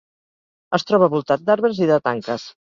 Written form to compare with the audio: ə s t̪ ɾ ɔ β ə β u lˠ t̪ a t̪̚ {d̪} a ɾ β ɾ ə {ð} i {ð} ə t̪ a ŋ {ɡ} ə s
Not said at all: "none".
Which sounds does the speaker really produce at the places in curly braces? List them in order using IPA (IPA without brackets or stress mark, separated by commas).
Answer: d̪, z, ð, k